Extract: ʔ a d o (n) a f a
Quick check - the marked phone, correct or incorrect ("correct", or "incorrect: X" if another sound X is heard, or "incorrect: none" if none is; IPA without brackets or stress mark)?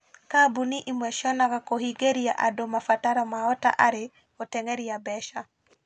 incorrect: m